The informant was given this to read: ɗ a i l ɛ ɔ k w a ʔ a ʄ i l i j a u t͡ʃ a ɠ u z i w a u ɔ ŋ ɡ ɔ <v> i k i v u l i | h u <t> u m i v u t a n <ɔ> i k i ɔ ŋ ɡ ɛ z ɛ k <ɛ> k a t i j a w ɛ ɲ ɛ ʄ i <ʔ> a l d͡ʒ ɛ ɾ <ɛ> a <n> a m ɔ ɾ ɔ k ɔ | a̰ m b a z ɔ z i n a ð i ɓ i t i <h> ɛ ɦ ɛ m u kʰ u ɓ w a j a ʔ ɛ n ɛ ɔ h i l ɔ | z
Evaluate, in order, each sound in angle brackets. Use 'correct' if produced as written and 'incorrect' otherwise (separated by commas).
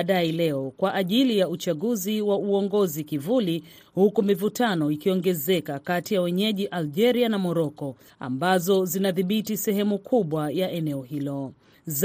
incorrect, incorrect, correct, incorrect, correct, incorrect, correct, incorrect